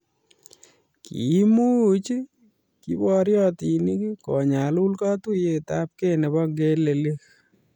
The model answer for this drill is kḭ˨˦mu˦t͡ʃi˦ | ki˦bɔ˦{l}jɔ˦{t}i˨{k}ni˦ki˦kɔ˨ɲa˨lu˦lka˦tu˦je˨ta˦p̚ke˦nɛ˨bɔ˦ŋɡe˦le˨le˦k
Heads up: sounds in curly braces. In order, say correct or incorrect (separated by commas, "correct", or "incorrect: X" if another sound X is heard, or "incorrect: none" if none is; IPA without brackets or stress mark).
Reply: incorrect: ɾ, correct, incorrect: none